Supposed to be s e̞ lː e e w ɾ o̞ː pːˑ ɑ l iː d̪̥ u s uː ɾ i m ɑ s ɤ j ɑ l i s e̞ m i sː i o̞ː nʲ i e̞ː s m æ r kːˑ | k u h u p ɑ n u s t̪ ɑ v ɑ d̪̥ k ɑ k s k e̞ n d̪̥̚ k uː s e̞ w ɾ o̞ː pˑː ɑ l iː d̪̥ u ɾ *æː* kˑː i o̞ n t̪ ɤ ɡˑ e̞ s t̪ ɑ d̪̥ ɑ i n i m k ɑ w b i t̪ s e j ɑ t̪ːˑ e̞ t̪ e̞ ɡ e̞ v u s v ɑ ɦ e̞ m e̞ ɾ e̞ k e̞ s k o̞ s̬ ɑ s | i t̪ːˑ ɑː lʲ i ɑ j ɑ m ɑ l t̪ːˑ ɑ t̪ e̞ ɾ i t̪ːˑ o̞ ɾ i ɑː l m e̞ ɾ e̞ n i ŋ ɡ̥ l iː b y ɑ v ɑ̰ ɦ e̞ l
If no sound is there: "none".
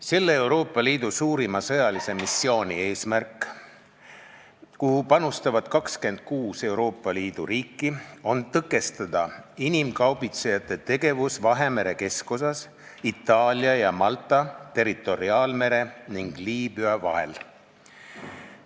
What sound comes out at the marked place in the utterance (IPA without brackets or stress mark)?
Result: iː